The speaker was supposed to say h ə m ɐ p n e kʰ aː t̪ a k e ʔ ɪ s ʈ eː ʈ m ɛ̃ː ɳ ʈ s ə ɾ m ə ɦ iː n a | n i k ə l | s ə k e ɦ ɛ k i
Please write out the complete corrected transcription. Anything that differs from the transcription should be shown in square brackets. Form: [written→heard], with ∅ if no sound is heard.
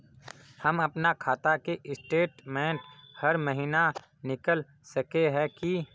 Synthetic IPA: h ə m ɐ p n [e→a] kʰ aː t̪ a k e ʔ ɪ s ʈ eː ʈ m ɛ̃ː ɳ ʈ [s→h] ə ɾ m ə ɦ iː n a | n [i→ɪ] k ə l | s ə k e ɦ ɛ k i